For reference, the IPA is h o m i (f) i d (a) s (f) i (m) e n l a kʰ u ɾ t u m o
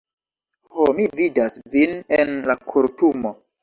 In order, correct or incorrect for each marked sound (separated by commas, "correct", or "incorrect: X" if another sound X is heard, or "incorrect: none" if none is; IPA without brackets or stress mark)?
incorrect: v, correct, incorrect: v, incorrect: n